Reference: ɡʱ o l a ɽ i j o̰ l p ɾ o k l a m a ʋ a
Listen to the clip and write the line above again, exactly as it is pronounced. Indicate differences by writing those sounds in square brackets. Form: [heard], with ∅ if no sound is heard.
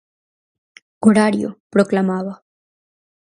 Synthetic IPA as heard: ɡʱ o [ɽ] a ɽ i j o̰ [∅] p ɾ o k l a m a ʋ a